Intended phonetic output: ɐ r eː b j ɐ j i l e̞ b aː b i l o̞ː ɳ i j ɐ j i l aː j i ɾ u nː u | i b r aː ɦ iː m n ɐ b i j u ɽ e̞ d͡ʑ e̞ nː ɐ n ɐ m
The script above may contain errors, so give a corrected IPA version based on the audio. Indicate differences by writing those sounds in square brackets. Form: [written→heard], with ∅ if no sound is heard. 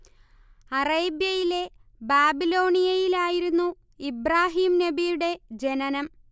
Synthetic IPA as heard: ɐ r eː b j ɐ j i l e̞ b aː b i l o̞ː ɳ i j ɐ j i l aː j i ɾ u nː u | i b r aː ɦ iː m n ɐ b i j u ɽ e̞ d͡ʑ e̞ [nː→n] ɐ n ɐ m